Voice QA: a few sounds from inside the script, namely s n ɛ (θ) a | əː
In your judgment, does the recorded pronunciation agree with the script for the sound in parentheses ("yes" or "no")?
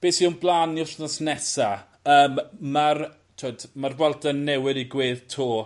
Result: no